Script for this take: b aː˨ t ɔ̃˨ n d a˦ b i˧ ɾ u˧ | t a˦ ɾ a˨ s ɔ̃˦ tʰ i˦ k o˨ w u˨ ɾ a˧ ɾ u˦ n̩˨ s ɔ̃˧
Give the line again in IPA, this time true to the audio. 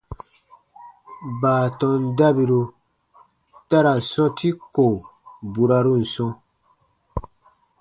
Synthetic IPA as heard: b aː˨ t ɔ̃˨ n d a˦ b i˧ ɾ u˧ | t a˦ ɾ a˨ s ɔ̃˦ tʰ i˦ k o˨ b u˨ ɾ a˧ ɾ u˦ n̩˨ s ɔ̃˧